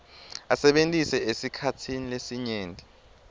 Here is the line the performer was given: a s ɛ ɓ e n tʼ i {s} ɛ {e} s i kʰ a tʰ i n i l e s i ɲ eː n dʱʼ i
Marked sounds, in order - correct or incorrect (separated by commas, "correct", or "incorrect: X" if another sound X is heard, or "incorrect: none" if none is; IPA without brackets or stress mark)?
correct, correct